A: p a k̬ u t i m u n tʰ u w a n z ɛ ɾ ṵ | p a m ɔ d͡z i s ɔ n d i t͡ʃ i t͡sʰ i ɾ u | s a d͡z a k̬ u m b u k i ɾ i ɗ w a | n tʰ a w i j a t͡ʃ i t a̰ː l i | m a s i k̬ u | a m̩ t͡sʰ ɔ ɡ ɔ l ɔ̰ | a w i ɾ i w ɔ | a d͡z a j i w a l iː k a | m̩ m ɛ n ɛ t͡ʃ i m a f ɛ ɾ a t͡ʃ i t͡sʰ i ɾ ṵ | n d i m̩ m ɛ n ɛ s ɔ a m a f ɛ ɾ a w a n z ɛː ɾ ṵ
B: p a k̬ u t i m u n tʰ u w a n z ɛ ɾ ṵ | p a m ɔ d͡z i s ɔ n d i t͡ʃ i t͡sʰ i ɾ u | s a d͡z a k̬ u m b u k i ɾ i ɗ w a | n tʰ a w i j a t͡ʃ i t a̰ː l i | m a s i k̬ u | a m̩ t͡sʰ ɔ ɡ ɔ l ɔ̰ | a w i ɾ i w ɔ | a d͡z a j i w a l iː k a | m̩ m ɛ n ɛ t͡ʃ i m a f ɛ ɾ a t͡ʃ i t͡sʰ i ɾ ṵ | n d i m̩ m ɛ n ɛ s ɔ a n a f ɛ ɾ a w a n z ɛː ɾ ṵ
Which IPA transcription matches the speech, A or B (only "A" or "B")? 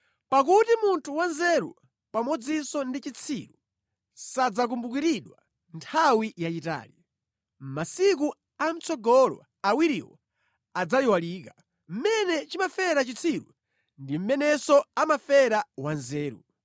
A